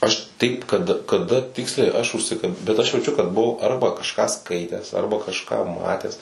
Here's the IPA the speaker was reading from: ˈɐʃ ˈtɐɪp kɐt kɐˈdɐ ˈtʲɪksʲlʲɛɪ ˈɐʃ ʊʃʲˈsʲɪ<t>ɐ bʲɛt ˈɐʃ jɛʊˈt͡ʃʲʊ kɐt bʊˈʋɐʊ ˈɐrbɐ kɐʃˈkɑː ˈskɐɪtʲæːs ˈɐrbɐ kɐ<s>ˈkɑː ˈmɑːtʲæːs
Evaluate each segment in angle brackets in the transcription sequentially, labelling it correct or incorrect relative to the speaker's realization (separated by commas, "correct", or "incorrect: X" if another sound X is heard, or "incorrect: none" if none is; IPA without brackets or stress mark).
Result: incorrect: k, incorrect: ʃ